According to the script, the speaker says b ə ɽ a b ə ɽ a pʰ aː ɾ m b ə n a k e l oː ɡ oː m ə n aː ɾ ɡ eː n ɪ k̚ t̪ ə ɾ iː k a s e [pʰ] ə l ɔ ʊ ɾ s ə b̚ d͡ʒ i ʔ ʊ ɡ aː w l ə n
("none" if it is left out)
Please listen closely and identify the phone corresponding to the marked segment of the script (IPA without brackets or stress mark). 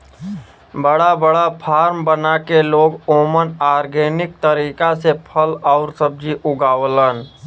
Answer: pʰ